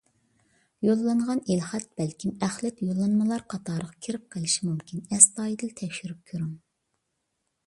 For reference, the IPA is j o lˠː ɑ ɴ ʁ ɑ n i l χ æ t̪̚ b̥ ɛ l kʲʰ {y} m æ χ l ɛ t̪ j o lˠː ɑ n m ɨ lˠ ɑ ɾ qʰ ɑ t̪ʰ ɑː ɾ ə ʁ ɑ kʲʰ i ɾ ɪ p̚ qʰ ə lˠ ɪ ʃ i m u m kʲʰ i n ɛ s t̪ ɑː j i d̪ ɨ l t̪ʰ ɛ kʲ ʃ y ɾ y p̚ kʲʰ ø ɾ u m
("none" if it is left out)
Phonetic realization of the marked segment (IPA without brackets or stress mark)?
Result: i